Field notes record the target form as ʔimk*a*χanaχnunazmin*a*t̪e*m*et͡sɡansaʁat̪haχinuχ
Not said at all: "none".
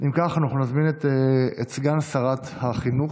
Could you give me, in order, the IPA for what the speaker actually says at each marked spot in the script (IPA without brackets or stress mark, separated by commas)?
a, e, none